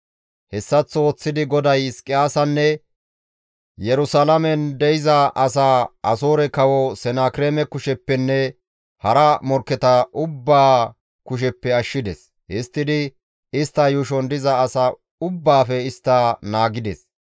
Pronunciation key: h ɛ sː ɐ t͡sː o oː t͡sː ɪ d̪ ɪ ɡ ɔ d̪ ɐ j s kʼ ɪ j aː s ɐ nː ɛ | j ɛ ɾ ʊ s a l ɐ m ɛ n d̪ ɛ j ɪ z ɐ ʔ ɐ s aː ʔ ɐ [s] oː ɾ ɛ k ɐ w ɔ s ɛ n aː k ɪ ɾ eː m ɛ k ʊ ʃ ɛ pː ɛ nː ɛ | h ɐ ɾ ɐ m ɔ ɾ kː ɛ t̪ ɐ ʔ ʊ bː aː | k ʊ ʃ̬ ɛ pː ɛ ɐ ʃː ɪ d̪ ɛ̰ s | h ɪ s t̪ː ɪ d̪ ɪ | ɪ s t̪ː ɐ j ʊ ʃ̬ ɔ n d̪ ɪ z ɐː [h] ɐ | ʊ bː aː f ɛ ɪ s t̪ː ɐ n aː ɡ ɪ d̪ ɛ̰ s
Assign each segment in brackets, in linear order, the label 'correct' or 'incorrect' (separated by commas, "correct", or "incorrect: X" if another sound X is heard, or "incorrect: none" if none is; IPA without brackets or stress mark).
correct, incorrect: s